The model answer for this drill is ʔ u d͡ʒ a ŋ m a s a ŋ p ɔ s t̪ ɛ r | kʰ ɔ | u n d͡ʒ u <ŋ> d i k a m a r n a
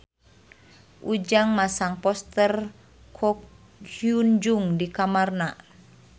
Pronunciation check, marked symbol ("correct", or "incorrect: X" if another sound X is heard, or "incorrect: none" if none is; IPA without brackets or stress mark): correct